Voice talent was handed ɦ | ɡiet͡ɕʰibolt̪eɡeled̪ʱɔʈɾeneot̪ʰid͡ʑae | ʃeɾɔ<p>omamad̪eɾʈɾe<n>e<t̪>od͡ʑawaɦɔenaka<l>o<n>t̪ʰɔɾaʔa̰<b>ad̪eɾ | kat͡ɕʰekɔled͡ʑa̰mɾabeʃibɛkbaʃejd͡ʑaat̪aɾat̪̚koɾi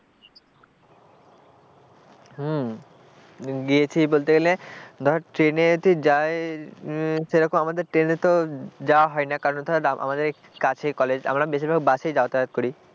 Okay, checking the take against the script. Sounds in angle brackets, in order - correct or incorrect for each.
incorrect, correct, correct, incorrect, correct, incorrect

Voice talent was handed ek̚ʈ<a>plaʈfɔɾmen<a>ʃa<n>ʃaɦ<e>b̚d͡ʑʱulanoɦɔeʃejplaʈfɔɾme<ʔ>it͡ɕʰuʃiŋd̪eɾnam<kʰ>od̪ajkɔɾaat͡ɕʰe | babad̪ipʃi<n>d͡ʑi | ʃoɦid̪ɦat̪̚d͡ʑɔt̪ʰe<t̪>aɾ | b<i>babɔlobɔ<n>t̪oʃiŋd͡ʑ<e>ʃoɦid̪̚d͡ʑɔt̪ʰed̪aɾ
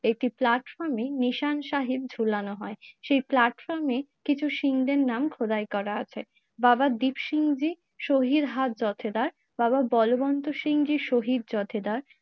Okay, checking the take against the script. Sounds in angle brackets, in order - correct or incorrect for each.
incorrect, incorrect, correct, incorrect, incorrect, correct, incorrect, incorrect, incorrect, correct, incorrect

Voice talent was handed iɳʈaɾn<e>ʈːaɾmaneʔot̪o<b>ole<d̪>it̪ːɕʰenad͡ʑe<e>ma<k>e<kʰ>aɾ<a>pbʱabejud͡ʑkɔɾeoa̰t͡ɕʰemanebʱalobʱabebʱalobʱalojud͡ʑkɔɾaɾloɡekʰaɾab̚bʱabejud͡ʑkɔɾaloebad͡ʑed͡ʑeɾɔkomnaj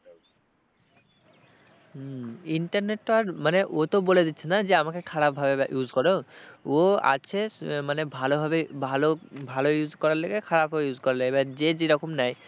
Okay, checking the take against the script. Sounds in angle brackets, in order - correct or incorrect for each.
correct, correct, correct, incorrect, correct, correct, correct

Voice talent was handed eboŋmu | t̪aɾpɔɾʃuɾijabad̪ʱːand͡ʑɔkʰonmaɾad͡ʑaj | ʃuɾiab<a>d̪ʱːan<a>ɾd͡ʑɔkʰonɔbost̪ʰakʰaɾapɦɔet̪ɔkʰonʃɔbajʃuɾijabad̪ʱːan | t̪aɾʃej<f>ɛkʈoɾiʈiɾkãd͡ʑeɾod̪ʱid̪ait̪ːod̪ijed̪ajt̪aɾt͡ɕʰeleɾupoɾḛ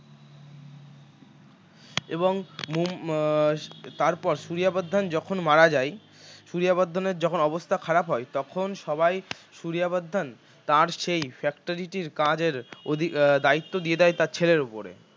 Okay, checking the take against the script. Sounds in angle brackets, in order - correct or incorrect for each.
correct, incorrect, correct

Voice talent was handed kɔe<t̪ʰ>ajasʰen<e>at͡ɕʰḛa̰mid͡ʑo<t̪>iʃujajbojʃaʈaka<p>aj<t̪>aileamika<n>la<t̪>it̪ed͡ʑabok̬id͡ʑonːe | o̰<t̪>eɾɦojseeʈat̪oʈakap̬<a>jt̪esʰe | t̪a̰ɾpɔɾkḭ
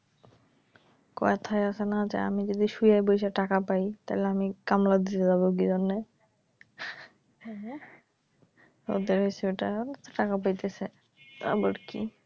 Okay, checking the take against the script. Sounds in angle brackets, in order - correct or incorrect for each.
correct, incorrect, incorrect, correct, correct, incorrect, incorrect, incorrect, correct

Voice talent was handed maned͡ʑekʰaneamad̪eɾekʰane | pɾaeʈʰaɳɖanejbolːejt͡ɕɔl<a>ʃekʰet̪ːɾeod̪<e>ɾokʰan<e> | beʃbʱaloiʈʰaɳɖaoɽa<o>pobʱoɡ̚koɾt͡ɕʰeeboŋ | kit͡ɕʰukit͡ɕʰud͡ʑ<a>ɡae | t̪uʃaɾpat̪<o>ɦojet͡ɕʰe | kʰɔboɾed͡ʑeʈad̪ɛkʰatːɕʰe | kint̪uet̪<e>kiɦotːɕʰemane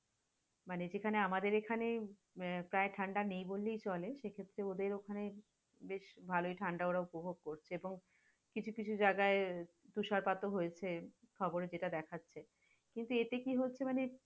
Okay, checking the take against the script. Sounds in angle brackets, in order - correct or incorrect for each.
incorrect, correct, correct, incorrect, correct, correct, correct

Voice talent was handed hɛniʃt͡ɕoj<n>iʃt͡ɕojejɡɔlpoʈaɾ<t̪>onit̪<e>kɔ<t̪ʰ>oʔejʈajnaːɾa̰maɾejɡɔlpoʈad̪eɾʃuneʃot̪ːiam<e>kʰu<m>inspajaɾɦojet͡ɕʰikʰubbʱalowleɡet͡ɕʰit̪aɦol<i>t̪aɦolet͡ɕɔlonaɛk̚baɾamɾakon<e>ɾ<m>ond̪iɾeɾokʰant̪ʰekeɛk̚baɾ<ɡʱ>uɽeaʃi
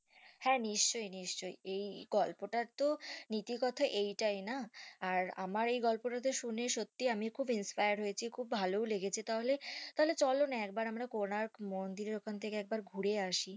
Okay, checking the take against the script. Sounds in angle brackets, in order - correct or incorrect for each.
correct, correct, incorrect, correct, incorrect, incorrect, incorrect, incorrect, correct, correct

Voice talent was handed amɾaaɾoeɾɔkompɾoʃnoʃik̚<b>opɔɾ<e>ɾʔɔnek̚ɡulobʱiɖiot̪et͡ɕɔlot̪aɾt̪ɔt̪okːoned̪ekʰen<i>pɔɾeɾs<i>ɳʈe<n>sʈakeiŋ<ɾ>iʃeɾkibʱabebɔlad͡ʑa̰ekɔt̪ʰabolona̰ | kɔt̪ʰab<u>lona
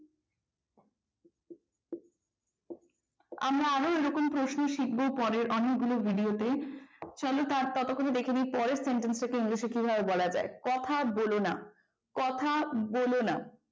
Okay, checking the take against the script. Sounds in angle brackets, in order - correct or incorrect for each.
correct, correct, correct, incorrect, correct, incorrect, incorrect

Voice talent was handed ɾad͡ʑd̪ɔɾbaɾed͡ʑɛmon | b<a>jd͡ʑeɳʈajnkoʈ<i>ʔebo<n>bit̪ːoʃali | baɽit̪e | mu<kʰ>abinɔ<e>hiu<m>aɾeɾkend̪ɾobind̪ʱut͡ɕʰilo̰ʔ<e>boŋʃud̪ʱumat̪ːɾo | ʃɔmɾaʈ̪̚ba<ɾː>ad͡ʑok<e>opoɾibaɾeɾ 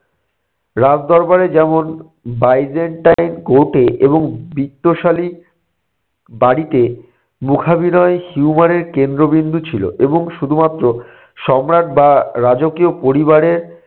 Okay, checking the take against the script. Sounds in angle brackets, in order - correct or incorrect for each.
correct, incorrect, incorrect, correct, correct, correct, correct, incorrect, incorrect

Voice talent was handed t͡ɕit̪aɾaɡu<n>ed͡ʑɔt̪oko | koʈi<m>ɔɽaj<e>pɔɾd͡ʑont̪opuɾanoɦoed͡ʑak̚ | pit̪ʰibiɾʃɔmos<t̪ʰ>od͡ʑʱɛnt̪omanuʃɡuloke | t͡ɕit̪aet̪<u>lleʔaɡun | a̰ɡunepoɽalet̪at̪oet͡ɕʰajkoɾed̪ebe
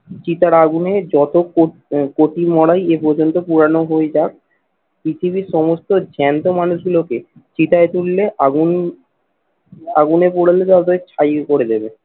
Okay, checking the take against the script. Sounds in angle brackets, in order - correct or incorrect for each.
correct, correct, correct, incorrect, correct

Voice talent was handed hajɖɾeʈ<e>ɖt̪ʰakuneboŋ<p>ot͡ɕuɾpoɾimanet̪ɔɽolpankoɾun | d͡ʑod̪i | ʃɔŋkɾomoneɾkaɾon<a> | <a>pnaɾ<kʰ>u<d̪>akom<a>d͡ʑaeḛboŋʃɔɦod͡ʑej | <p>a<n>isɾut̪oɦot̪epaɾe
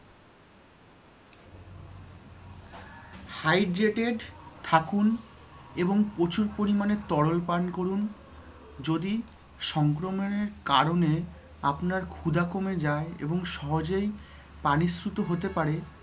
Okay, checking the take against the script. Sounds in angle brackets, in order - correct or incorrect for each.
correct, correct, incorrect, correct, correct, correct, incorrect, correct, correct

